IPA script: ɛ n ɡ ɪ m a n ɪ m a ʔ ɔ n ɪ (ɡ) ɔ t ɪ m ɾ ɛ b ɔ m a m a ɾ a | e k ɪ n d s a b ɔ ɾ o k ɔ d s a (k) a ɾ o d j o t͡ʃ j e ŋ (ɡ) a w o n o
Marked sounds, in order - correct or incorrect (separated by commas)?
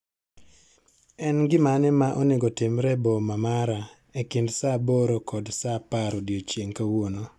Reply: correct, incorrect, incorrect